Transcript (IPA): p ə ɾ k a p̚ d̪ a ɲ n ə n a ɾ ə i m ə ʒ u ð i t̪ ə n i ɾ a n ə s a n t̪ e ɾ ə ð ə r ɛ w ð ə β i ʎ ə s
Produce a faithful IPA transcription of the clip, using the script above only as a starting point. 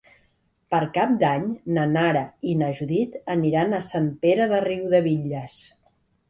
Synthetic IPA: p ə ɾ k a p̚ d̪ a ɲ n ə n a ɾ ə i n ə ʒ u ð i t̪ ə n i ɾ a n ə s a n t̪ e ɾ ə ð ə r i w ð ə β i ʎ ə s